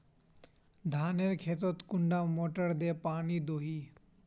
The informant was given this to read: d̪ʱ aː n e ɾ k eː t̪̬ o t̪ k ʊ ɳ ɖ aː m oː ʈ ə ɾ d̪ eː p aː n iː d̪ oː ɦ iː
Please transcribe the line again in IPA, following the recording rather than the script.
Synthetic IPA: d̪ʱ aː n e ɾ kʰ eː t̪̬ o t̪ k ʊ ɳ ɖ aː m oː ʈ ə ɾ d̪ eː p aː n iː d̪ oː ɦ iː